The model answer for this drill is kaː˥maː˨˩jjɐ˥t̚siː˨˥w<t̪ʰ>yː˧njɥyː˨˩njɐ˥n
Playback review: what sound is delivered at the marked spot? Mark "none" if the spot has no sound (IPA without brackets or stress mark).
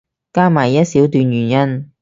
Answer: t̪